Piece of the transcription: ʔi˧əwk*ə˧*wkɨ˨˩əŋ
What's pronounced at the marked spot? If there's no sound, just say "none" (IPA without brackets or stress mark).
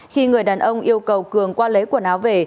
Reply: ə˨˩